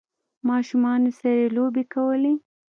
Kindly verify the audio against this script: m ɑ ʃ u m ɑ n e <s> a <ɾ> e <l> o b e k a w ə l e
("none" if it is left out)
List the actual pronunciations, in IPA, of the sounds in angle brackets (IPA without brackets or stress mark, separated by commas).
s, ɾ, l